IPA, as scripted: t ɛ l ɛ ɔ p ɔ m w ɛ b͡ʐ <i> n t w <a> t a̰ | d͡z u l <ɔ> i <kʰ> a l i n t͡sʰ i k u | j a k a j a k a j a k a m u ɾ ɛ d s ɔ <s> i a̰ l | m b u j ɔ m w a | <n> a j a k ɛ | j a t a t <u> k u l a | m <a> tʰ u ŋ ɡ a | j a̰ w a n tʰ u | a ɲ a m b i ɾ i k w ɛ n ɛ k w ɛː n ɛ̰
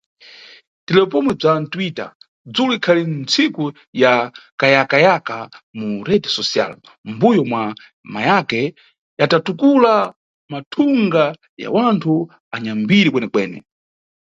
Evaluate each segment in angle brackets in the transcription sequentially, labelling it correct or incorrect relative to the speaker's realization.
incorrect: a, incorrect: i, incorrect: u, correct, correct, incorrect: m, correct, correct

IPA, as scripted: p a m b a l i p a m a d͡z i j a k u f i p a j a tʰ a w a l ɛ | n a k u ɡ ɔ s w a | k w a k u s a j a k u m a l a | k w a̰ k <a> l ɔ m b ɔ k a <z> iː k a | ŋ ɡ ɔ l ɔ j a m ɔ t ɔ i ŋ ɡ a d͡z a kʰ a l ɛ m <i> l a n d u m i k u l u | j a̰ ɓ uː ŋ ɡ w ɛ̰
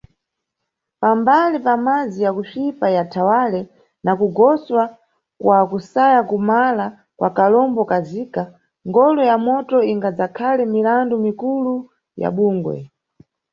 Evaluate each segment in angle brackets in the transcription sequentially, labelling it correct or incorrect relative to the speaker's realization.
correct, correct, correct

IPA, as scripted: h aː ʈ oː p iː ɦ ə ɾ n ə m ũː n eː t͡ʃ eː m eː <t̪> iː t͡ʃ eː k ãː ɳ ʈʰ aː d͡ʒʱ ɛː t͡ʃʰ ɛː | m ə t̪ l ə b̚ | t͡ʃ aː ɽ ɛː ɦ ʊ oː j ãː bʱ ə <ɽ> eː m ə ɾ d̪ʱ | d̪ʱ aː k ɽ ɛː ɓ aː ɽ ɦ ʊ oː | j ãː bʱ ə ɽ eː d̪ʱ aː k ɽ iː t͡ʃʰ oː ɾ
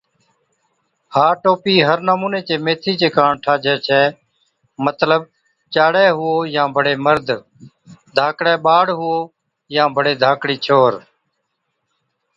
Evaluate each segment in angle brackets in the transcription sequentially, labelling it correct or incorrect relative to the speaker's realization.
incorrect: t̪ʰ, correct

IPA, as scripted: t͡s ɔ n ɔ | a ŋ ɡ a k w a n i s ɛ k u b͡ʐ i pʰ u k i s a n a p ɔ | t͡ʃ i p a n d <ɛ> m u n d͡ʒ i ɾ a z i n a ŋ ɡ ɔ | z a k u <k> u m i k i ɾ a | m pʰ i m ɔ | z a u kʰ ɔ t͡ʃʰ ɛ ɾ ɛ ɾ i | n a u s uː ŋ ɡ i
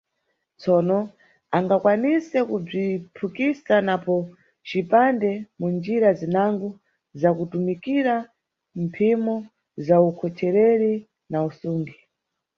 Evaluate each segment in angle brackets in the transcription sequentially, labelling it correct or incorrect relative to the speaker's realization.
correct, incorrect: t

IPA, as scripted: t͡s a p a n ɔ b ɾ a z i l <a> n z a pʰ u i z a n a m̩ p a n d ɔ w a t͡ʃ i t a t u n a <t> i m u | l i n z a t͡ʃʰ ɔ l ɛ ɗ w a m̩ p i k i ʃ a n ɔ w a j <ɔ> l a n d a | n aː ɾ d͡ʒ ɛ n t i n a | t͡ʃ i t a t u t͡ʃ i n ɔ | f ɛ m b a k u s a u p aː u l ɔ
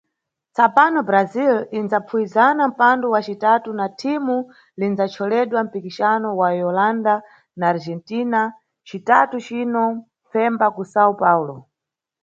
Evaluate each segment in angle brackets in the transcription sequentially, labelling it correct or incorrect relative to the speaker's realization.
incorrect: i, incorrect: tʰ, correct

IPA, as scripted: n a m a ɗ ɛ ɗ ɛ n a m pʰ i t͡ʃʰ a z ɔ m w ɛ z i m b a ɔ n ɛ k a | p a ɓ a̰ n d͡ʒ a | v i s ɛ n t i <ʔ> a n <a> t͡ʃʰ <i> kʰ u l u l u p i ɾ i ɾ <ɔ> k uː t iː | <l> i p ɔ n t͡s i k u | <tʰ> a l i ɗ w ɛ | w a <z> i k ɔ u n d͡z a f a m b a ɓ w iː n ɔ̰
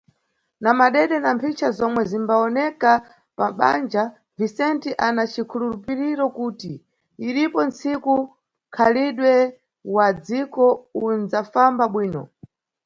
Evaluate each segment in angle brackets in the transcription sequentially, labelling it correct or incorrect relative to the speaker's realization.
correct, correct, correct, correct, incorrect: ɾ, incorrect: kʰ, incorrect: d͡z

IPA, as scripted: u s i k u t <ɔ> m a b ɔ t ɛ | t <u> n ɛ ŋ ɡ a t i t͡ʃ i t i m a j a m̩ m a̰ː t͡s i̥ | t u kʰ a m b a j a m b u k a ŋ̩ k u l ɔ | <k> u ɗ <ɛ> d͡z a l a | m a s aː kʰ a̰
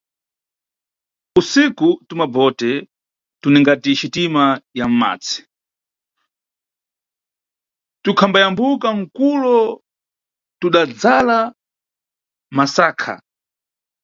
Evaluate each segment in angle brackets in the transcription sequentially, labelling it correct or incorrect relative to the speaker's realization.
incorrect: u, correct, incorrect: t, incorrect: a

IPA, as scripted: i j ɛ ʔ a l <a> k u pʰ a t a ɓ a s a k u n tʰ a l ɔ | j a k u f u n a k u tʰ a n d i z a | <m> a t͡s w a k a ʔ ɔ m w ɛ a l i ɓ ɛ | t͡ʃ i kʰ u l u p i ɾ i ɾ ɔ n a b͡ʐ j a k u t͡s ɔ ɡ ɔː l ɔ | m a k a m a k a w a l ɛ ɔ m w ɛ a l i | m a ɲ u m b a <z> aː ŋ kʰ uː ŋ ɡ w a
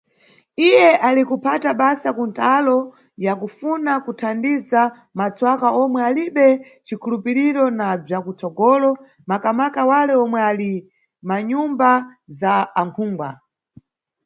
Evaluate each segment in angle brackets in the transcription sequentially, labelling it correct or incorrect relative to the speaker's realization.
incorrect: i, correct, correct

